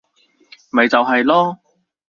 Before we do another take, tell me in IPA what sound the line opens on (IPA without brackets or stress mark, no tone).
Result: m